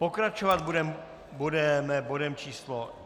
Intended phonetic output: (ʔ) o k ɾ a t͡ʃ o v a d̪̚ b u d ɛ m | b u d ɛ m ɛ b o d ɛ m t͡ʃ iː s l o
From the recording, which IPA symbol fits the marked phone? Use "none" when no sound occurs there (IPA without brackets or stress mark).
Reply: p